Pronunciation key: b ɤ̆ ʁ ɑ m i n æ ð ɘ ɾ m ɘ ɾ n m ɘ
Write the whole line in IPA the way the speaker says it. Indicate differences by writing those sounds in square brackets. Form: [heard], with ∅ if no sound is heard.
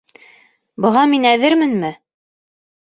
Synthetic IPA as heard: b ɤ̆ ʁ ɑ m i n æ ð ɘ ɾ m ɘ [∅] n m ɘ